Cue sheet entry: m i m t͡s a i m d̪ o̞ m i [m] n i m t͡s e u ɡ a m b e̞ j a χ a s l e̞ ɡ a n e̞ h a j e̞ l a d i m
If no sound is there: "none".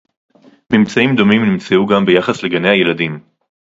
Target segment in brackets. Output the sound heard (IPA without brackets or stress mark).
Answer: m